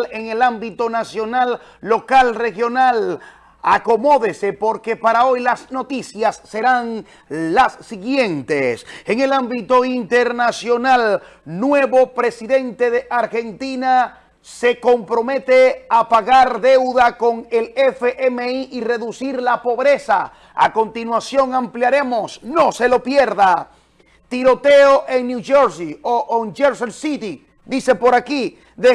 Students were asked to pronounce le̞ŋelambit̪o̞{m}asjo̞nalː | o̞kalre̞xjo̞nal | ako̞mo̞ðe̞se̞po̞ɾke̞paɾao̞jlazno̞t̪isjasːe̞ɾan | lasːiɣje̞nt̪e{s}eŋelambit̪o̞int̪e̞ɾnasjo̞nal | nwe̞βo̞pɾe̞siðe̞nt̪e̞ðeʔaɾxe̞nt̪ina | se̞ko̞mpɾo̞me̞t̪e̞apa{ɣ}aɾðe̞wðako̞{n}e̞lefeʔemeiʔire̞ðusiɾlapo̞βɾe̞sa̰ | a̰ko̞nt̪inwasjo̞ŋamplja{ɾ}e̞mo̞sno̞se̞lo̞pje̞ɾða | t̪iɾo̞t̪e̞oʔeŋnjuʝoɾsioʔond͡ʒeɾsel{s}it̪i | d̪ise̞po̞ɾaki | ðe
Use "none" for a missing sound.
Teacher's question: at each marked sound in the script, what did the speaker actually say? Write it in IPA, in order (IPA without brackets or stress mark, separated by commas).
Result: n, s, ɣ, ŋ, ɾ, s